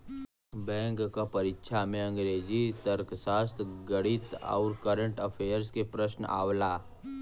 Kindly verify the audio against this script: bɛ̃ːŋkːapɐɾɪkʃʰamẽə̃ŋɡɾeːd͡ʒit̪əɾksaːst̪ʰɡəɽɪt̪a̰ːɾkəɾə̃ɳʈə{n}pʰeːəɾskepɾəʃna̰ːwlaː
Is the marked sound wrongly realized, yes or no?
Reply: yes